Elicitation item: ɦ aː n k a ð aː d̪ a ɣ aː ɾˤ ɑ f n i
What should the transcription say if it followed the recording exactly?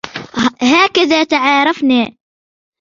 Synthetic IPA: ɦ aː k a ð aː t̪ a ʕ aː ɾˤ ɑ f n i